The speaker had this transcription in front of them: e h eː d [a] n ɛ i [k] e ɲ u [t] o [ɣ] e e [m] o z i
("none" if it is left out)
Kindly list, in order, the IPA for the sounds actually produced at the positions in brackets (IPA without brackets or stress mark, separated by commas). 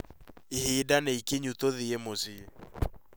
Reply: a, k, t, ð, m